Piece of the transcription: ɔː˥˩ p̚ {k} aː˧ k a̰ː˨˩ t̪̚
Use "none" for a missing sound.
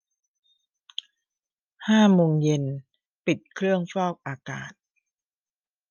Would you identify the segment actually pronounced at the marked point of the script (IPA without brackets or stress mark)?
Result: ʔ